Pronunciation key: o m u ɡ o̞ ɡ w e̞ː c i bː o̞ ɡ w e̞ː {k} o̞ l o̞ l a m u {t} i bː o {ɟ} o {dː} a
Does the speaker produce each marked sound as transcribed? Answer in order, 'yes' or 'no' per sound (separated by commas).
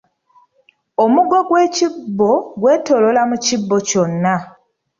no, no, no, no